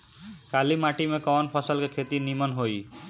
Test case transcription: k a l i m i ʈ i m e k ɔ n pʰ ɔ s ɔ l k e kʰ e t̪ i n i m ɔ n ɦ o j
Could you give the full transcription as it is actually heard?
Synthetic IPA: k a l i m a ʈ i m e k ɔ n pʰ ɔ s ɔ l k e kʰ e t̪ i n i m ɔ n ɦ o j